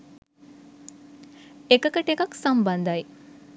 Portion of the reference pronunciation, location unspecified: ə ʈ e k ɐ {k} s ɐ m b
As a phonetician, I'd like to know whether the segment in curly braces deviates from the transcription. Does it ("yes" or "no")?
no